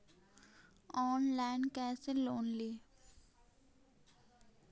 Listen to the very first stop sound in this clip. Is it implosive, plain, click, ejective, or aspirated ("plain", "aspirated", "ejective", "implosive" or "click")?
plain